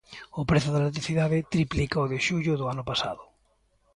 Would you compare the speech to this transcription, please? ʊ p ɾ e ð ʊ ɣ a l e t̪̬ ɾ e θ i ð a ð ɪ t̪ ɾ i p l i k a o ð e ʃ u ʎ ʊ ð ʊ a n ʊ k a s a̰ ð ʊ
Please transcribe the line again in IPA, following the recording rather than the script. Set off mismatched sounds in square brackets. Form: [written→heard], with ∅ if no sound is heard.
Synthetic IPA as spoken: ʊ p ɾ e [ð→θ] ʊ [ɣ→ð] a l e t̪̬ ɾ [e→i] θ i ð a ð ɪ t̪ ɾ i p l i k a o ð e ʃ u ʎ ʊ ð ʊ a n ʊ [k→p] a s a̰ ð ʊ